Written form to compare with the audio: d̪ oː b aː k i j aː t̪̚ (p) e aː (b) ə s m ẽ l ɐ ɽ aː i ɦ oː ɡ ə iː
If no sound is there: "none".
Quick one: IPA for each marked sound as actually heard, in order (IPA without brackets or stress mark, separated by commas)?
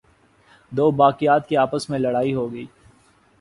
k, p